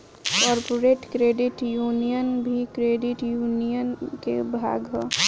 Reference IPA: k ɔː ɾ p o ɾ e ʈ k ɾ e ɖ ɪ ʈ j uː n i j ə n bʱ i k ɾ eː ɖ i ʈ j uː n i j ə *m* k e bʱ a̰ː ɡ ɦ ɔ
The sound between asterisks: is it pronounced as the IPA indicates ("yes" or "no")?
no